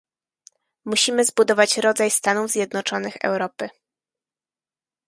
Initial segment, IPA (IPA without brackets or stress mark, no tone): m